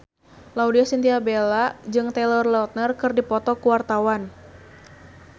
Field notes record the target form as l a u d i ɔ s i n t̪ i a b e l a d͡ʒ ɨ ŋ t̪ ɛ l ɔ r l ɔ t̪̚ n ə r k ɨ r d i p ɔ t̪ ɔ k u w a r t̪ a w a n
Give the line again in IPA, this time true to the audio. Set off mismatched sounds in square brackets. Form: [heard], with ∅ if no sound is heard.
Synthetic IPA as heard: l a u d i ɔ s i n t̪ i a b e l a d͡ʒ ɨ ŋ t̪ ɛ l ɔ r l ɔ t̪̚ n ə r k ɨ r d i p ɔ t̪ ɔ k u w a r t̪ a w a n